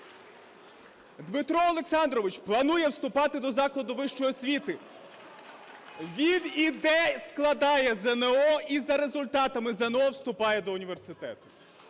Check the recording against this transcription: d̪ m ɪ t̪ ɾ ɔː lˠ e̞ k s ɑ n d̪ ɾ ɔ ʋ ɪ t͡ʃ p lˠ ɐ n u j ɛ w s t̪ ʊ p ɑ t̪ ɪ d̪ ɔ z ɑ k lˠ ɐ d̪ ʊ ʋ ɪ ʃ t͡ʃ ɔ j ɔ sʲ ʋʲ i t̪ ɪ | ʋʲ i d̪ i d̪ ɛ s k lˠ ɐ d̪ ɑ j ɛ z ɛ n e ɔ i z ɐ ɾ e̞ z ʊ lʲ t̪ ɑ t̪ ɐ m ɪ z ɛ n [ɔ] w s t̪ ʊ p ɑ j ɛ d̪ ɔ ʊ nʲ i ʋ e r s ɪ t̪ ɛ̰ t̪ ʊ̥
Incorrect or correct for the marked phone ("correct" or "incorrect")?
correct